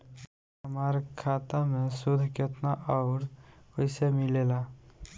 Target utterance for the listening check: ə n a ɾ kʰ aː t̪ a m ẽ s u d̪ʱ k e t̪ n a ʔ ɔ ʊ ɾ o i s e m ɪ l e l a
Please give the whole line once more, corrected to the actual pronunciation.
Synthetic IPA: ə m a ɾ kʰ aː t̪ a m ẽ s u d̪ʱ k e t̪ n a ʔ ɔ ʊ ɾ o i s e m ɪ l e l a